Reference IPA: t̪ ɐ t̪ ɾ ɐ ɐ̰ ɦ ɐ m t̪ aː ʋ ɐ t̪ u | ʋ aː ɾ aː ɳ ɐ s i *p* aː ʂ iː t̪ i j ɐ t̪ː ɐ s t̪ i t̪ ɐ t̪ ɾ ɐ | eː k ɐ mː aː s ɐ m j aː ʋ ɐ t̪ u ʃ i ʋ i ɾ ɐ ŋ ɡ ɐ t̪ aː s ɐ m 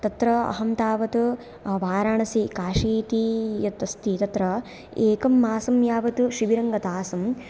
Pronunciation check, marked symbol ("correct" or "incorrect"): incorrect